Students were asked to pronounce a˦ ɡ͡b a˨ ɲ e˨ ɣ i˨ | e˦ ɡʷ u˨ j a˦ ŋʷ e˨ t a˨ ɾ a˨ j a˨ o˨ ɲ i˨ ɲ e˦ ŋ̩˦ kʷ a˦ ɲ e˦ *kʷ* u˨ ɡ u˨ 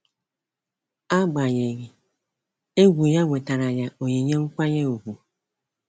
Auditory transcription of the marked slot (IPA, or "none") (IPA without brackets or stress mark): none